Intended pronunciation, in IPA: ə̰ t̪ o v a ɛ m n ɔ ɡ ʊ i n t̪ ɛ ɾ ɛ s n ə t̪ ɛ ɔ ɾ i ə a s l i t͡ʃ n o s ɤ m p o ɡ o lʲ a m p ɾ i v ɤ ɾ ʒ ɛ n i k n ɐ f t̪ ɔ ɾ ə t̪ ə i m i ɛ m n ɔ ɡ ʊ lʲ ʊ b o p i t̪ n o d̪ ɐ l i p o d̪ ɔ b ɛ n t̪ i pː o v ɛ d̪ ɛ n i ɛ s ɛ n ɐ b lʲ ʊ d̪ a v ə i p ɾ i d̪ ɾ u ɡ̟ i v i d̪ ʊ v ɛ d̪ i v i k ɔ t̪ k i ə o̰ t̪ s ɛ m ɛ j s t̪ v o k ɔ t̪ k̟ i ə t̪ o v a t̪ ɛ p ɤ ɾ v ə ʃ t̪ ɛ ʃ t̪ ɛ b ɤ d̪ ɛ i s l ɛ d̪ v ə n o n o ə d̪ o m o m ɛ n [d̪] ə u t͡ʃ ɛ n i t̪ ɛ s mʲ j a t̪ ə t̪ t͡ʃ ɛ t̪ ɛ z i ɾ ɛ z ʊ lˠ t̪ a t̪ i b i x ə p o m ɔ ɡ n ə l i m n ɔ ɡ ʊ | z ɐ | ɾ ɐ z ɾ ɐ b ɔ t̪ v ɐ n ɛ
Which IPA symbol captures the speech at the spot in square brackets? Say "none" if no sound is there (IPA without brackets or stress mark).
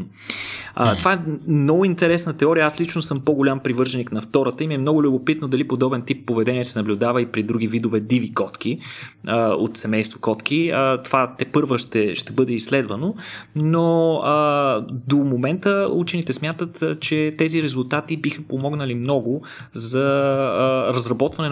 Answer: t̪